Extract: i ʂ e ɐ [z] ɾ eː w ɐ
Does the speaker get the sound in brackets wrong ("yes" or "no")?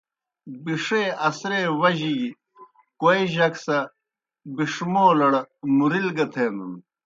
yes